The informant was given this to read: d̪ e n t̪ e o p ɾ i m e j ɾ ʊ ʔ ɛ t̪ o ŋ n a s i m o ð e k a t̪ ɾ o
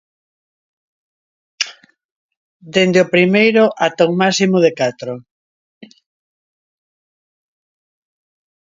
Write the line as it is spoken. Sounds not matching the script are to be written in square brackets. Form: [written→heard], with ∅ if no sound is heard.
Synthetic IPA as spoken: d̪ e n [t̪→d̪] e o p ɾ i m e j ɾ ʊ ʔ [ɛ→a] t̪ o ŋ [n→m] a s i m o ð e k a t̪ ɾ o